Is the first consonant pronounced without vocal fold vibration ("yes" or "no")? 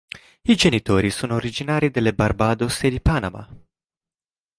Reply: no